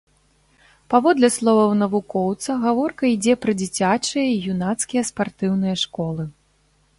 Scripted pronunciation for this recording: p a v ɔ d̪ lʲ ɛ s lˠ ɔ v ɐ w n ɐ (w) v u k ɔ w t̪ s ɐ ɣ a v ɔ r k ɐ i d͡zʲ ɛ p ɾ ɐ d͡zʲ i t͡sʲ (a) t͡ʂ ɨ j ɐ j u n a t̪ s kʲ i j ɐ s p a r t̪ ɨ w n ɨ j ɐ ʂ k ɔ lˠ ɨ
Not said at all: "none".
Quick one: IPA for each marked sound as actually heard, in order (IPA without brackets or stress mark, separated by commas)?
none, a